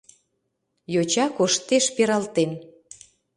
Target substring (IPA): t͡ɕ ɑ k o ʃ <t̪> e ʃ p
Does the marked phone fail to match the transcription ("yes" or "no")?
no